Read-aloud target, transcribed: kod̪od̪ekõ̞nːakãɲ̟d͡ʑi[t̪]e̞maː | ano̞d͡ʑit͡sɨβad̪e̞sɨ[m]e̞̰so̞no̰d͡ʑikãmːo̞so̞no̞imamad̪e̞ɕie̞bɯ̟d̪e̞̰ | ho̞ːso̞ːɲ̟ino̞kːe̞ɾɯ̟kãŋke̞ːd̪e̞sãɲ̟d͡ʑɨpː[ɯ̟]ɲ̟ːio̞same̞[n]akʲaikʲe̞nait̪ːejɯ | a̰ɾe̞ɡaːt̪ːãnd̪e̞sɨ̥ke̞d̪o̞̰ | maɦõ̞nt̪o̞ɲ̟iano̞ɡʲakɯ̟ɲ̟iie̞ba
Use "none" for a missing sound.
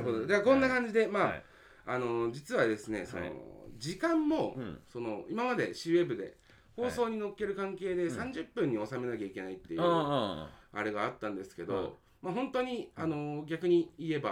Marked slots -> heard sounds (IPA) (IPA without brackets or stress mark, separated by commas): d̪, n, ɯ̟̃, n